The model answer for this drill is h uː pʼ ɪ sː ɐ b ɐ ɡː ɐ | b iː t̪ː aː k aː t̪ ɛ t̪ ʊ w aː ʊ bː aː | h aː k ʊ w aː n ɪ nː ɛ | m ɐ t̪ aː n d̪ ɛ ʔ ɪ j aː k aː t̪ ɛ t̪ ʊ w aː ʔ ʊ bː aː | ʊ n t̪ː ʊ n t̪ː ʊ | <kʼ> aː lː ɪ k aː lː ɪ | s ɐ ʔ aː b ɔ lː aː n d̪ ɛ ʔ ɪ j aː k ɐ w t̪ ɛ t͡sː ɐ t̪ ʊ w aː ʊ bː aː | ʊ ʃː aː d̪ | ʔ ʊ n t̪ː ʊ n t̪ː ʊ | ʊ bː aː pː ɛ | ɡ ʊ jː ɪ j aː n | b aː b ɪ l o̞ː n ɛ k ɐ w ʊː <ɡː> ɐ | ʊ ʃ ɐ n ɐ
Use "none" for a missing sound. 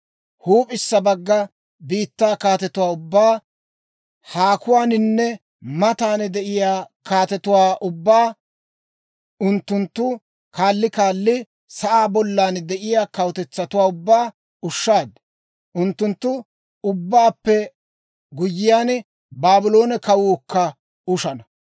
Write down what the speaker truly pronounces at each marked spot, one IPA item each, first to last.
k, kː

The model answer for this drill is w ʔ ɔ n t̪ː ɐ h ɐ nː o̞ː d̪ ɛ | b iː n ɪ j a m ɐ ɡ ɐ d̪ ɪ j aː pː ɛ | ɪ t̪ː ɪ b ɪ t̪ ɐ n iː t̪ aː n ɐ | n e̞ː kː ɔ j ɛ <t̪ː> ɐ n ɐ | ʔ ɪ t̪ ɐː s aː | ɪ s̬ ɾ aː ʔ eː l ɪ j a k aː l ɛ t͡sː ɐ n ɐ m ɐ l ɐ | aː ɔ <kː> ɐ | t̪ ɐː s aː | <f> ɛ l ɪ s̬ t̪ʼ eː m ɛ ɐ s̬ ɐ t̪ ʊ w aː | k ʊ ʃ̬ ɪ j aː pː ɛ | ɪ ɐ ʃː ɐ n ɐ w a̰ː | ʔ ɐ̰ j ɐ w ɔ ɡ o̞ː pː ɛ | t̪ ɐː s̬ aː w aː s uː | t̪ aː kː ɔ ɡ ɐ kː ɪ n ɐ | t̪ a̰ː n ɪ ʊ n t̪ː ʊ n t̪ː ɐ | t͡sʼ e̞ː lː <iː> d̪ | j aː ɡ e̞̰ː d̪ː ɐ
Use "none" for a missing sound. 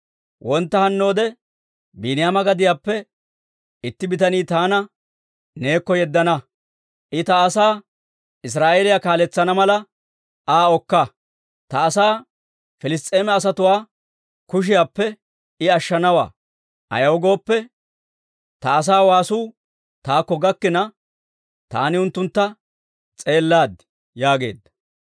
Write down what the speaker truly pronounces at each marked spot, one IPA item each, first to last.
d̪ː, kː, f, aː

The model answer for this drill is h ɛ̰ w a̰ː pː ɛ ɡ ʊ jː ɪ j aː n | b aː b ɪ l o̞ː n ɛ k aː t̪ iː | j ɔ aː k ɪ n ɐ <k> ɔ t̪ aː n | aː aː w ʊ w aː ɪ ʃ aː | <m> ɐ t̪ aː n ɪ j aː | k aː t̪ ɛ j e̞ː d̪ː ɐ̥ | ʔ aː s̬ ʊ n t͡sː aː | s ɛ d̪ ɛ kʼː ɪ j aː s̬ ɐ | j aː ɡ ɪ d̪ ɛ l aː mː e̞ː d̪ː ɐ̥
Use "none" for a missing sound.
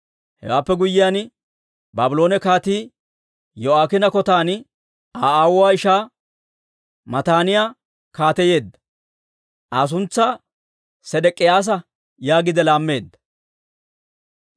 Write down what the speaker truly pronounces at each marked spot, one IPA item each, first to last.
k, m

